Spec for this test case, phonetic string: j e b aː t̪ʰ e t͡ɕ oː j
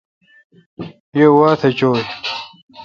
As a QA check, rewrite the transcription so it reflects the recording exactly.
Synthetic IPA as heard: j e w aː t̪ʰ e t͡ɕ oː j

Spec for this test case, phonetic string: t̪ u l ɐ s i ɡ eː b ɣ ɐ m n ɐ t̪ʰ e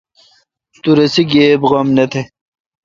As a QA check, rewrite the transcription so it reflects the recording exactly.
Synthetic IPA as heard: t̪ u ɾ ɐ s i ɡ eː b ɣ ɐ m n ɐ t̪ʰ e

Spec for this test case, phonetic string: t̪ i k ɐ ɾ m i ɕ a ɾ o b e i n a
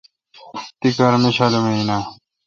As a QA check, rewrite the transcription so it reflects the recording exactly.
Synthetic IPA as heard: t̪ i k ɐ ɾ m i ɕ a l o m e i n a

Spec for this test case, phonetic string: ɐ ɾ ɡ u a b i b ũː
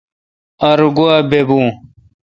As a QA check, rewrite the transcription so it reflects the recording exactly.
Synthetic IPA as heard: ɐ ɾ ɡ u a b e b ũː

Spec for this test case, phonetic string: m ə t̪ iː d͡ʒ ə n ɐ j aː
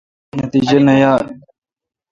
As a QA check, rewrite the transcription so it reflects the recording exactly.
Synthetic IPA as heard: n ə t̪ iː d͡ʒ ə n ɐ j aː

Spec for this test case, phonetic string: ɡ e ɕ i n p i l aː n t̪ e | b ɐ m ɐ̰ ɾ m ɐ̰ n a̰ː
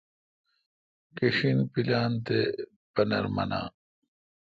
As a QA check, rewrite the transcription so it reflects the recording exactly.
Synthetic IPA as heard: k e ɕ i n p i l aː n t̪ e | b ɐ n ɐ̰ ɾ m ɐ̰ n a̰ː

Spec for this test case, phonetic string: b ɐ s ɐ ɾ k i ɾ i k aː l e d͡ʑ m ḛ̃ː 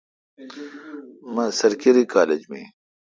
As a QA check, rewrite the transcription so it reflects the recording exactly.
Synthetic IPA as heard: m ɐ s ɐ ɾ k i ɾ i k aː l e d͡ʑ m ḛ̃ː

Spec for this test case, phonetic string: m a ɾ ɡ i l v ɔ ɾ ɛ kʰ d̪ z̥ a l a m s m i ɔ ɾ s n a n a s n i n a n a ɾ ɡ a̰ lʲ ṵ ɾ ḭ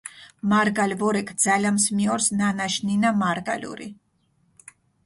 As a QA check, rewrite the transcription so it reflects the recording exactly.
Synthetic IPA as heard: m a ɾ ɡ a l v ɔ ɾ ɛ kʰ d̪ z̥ a l a m s m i ɔ ɾ s n a n a ʃ n i n a m a ɾ ɡ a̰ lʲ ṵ ɾ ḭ

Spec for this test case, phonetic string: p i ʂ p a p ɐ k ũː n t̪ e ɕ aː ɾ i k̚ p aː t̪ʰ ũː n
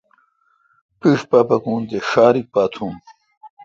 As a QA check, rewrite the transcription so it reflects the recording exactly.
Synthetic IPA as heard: p i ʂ p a p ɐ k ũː n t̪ e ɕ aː ɾ i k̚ p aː t̪ʰ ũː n

